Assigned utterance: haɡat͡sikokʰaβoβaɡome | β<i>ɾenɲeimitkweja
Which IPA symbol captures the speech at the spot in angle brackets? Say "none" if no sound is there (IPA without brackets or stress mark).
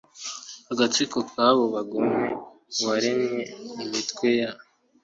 a